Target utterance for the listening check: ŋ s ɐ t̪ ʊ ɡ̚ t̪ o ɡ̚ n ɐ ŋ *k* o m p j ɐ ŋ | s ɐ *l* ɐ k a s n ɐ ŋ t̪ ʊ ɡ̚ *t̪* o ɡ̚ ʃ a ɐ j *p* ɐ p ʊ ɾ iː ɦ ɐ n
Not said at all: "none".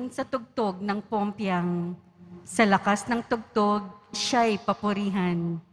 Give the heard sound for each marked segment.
p, l, t̪, p

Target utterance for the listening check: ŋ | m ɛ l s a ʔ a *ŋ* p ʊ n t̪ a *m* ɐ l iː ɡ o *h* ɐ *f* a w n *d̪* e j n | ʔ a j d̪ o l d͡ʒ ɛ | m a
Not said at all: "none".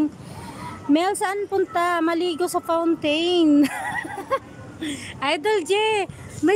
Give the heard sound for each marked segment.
n, m, s, f, t̪

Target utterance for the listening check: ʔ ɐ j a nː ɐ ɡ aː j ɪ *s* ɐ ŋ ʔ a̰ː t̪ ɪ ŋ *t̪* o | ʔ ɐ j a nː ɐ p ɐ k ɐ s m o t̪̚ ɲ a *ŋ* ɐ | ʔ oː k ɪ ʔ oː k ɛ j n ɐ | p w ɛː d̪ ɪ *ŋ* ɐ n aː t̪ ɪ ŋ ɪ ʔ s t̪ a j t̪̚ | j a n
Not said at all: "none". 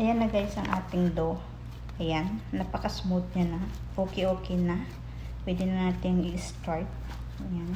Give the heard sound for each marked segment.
s, d̪, n, n

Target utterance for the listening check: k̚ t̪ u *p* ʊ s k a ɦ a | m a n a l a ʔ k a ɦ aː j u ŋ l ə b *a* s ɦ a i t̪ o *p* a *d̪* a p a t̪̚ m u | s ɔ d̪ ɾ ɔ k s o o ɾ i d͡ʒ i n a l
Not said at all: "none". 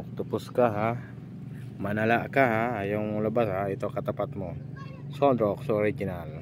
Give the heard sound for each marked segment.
p, a, k, t̪

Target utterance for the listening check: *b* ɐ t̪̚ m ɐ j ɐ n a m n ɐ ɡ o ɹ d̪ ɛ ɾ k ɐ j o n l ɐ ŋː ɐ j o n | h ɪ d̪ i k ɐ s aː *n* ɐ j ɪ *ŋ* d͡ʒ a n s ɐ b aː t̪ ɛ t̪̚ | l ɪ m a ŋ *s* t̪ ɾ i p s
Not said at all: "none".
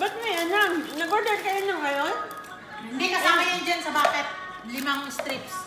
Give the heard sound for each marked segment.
b, m, n, s

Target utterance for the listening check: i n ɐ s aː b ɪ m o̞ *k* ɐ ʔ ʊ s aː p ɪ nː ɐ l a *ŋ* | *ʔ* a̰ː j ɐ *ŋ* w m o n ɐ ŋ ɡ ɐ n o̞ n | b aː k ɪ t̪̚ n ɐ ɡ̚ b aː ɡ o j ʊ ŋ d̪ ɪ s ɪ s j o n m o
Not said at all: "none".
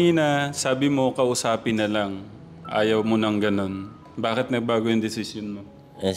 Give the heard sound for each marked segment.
k, ŋ, ʔ, none

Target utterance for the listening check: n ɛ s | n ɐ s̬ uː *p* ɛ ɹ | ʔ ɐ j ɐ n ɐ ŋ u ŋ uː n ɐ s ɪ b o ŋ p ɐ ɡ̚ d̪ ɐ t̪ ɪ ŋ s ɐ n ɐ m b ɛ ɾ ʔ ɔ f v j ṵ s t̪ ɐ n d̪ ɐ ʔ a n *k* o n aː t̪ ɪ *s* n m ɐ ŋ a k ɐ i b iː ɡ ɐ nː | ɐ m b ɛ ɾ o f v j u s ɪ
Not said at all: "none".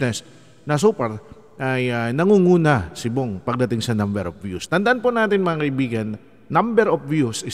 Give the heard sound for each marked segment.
p, p, none

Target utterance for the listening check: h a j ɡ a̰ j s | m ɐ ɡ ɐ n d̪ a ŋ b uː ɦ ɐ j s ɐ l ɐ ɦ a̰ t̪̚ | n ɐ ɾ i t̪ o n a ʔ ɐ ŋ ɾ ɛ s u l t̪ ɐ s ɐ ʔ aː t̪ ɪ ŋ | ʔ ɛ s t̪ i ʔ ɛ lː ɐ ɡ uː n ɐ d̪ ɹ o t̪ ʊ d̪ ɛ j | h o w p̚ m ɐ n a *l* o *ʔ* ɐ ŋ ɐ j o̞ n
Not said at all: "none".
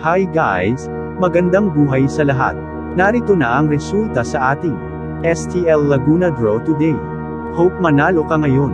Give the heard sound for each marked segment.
l, k

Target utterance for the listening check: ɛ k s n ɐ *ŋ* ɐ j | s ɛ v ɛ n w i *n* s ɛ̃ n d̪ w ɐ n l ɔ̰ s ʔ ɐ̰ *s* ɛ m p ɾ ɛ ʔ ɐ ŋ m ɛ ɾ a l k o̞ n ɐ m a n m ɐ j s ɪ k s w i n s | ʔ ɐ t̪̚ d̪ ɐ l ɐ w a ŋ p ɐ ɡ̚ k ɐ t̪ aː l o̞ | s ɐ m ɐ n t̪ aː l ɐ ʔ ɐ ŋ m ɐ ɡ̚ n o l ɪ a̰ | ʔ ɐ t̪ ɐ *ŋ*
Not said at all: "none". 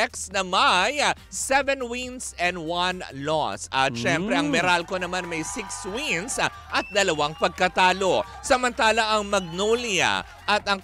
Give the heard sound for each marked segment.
m, n, ʃ, ŋ

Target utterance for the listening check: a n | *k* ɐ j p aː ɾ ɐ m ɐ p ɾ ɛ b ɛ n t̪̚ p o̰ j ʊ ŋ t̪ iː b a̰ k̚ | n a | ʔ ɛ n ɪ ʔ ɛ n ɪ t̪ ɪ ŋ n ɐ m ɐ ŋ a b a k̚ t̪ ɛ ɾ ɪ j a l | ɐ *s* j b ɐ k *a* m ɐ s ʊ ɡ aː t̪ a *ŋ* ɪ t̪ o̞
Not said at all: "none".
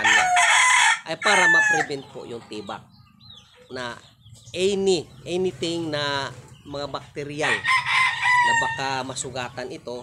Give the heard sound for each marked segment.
ʔ, none, a, n

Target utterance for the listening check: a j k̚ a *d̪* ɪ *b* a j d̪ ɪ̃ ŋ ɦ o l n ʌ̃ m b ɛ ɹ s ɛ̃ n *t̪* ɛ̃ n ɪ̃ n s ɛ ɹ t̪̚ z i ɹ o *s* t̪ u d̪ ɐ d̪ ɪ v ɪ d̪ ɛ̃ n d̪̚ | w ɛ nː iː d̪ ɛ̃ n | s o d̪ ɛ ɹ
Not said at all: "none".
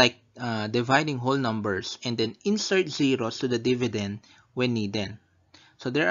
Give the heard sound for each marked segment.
d̪, v, d̪, s

